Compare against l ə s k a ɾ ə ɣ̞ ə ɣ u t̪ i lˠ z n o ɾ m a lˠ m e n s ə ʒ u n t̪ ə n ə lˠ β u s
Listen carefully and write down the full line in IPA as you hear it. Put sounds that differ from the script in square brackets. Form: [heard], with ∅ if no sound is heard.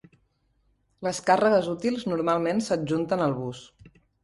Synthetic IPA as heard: l ə s k a [r] ə ɣ̞ ə [z] u t̪ i lˠ z n [u] ɾ m a lˠ m e n s ə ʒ u n t̪ ə n ə lˠ β u s